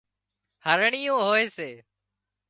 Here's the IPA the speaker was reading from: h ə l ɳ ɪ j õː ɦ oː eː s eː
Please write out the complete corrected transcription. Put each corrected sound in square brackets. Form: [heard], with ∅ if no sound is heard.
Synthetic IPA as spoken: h ə [ɾ] ɳ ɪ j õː ɦ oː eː s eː